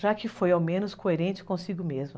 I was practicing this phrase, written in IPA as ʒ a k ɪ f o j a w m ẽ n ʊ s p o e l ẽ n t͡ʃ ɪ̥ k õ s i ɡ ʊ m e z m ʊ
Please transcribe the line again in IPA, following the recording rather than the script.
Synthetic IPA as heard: ʒ a k ɪ f o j a w m ẽ n ʊ s k o e ɾ ẽ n t͡ʃ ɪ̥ k õ s i ɡ ʊ m e z m ʊ